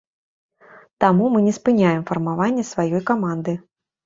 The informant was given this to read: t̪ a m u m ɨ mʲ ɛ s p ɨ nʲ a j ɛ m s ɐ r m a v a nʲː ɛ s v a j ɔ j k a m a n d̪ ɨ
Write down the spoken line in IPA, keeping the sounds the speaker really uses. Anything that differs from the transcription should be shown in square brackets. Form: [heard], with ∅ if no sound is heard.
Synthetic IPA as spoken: t̪ a m u m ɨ [nʲ] ɛ s p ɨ nʲ a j ɛ m [f] ɐ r m a v a nʲː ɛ s v a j ɔ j k a m a n d̪ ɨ